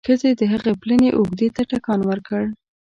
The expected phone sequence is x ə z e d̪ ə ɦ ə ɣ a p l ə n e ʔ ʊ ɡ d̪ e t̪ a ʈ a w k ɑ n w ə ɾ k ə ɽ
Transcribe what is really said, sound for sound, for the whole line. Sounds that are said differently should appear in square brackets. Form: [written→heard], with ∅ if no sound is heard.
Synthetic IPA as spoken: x ə z e d̪ ə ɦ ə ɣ [a→e] p l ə n e ʔ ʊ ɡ d̪ e t̪ a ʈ a [w→∅] k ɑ n w ə ɾ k ə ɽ